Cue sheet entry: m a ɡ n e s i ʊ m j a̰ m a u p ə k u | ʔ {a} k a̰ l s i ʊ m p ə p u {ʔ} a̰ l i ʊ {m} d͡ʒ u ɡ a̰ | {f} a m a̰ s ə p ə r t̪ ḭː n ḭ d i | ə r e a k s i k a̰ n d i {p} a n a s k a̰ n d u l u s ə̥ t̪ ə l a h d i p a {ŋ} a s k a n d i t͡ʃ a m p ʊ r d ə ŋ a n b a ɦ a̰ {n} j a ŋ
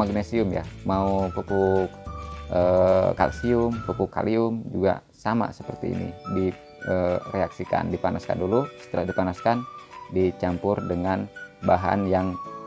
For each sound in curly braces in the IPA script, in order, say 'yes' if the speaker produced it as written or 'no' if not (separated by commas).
no, no, yes, no, yes, no, yes